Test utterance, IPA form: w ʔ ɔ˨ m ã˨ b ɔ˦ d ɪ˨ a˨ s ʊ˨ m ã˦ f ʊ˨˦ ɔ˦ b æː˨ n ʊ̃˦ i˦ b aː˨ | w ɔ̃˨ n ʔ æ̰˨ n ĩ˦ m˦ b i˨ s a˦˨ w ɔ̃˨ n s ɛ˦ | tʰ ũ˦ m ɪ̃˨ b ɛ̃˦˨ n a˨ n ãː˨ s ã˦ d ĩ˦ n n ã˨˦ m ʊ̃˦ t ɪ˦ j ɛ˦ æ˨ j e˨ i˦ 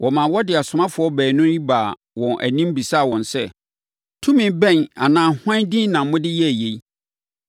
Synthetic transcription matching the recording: w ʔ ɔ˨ m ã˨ w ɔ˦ d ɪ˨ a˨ s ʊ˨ m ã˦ f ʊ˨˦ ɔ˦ b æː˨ n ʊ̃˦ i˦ b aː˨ | w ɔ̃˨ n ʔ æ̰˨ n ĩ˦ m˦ b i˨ s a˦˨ w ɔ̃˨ n s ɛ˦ | tʰ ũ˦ m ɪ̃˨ b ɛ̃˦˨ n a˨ n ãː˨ h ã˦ d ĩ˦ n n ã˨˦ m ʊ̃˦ d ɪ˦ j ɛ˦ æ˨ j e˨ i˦